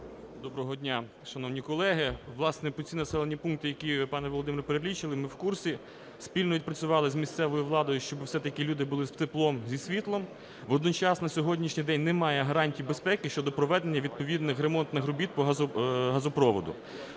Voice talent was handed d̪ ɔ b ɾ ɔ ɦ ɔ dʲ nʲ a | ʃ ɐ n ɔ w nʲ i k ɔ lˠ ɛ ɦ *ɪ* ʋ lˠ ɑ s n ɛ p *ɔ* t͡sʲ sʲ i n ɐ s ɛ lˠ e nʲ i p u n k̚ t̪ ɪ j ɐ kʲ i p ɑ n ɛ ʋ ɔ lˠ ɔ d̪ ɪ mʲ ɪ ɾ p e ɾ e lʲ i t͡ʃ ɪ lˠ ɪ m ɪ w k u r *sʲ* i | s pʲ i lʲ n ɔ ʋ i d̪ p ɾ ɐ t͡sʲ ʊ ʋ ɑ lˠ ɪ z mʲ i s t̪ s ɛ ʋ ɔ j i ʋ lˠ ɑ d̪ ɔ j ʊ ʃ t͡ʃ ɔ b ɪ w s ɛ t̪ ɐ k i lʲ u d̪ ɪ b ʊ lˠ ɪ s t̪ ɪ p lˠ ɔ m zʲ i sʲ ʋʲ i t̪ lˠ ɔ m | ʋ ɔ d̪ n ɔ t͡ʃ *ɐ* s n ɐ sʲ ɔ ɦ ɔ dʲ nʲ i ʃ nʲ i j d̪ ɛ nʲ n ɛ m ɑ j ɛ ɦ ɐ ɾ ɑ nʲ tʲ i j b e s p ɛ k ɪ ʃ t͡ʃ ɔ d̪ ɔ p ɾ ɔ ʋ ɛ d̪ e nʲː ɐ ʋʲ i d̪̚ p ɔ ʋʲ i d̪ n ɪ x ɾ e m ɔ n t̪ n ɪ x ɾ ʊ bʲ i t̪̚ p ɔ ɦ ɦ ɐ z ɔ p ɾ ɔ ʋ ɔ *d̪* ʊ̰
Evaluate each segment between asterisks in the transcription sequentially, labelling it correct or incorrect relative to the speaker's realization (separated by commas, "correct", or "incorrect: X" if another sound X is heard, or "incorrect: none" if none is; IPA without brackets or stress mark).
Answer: correct, correct, correct, incorrect: ɑ, correct